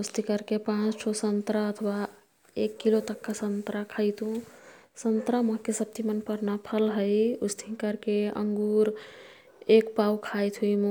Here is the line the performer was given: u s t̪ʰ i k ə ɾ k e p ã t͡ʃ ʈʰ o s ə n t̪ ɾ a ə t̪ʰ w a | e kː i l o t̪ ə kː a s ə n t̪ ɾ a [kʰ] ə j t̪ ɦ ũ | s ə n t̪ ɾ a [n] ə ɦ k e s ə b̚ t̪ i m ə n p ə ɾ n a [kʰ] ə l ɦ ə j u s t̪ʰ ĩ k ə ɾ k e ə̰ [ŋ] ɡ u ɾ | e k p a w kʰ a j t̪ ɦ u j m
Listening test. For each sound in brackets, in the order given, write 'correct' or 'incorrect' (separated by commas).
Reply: correct, incorrect, incorrect, correct